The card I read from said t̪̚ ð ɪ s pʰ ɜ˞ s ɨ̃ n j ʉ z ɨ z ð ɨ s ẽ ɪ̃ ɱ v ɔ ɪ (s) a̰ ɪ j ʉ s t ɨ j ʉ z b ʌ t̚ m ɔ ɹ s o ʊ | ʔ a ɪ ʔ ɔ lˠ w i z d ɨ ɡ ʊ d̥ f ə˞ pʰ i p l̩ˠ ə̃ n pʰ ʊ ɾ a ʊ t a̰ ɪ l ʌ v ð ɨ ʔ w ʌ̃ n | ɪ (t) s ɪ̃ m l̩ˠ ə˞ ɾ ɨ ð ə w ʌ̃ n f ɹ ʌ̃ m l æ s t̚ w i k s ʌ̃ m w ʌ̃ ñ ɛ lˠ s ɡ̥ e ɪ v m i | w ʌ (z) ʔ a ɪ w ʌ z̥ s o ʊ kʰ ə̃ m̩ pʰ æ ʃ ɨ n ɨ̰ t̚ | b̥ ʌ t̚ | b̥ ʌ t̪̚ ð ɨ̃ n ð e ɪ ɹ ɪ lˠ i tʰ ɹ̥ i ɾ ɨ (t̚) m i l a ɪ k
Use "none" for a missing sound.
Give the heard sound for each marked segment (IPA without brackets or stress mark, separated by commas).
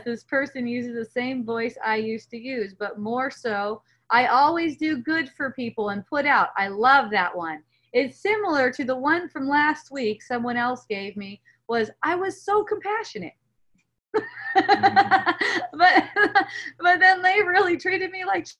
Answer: s, t, z, d̚